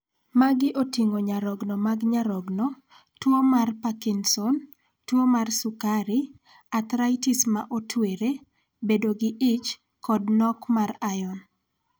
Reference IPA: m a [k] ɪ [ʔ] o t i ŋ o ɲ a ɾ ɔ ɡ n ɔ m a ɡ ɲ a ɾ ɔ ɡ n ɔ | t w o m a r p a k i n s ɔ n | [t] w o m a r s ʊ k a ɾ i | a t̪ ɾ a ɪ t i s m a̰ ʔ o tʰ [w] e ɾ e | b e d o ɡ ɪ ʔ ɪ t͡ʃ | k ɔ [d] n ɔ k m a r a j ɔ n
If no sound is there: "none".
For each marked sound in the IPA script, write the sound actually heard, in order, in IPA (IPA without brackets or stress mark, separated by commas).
ɡ, ʔ, t, w, d